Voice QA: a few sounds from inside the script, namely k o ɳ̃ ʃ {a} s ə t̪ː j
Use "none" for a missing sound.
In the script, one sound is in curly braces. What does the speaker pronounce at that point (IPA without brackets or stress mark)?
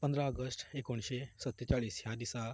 e